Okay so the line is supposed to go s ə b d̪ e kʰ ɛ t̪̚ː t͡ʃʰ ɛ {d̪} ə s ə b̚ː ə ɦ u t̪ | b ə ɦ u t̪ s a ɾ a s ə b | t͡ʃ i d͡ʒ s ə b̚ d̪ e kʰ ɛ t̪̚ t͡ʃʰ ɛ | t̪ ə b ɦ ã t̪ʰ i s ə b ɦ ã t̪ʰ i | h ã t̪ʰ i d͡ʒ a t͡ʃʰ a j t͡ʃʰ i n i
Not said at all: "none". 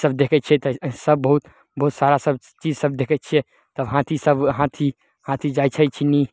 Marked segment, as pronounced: t̪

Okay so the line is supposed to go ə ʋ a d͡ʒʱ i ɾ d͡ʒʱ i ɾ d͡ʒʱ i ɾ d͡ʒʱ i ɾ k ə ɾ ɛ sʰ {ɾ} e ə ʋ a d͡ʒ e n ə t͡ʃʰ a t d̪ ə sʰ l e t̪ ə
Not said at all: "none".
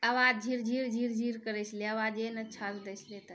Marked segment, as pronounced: l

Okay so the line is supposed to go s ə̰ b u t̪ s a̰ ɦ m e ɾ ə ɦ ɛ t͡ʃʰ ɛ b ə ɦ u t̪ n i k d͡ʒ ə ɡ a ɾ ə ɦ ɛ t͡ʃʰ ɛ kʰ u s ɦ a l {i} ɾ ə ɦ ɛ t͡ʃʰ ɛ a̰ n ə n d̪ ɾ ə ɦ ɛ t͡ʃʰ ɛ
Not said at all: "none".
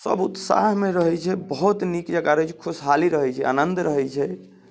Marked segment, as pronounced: i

